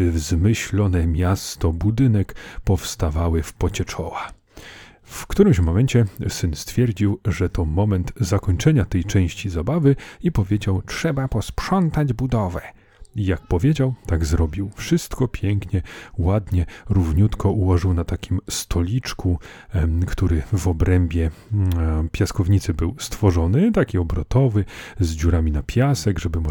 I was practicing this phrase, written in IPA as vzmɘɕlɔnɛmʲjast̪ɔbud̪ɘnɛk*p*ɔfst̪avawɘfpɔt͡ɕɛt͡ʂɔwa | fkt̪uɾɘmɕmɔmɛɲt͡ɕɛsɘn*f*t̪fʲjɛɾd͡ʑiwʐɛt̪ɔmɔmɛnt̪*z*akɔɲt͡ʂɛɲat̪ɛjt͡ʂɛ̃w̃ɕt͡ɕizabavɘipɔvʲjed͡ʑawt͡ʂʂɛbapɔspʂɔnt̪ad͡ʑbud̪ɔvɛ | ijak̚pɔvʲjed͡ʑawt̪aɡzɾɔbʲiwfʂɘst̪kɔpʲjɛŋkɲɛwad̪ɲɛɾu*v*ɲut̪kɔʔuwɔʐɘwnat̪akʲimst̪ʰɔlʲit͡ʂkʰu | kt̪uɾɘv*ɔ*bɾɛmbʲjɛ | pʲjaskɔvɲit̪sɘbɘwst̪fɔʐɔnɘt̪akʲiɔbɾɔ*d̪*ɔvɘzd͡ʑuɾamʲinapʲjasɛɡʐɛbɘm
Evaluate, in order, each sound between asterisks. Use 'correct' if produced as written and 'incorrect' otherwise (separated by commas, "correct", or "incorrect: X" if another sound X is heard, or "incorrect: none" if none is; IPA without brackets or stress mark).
correct, incorrect: s, correct, correct, correct, incorrect: t̪